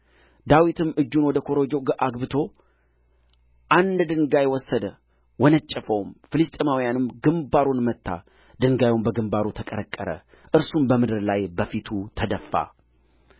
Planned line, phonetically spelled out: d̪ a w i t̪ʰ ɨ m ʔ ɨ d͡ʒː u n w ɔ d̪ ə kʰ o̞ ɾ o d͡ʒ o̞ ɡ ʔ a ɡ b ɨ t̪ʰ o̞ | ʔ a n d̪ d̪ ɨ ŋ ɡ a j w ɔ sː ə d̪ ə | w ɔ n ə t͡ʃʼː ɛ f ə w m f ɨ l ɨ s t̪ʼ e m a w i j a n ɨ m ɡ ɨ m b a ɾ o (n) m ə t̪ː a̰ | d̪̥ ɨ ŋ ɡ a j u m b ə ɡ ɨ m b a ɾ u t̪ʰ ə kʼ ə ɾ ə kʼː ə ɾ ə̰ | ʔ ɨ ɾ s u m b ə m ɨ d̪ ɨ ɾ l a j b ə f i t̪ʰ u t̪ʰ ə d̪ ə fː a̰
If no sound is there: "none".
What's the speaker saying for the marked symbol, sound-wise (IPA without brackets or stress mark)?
n